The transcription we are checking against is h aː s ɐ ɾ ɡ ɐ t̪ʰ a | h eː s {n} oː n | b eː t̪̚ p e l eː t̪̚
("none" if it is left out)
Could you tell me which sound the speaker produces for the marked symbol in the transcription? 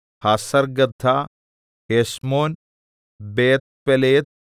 m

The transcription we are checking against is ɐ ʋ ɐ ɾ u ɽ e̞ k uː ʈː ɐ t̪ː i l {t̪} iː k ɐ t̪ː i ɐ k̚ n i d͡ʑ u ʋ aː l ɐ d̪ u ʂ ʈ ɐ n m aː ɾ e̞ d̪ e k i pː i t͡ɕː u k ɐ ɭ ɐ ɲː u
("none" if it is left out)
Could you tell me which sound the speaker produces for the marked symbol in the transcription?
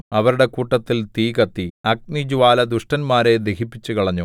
t̪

